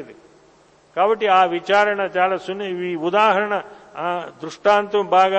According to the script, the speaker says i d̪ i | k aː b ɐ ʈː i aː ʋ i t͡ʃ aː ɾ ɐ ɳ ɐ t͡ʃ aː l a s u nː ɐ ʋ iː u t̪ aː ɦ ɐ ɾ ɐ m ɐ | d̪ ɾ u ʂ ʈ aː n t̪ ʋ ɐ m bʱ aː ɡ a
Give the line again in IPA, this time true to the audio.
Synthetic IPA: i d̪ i | k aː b ɐ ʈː i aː ʋ i t͡ʃ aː ɾ ɐ ɳ ɐ t͡ʃ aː l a s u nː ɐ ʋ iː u d̪ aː ɦ ɐ ɾ ɐ ɳ ɐ | d̪ ɾ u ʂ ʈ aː n t̪ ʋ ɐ m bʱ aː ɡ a